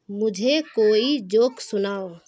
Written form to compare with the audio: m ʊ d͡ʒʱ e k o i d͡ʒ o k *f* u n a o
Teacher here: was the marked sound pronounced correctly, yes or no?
no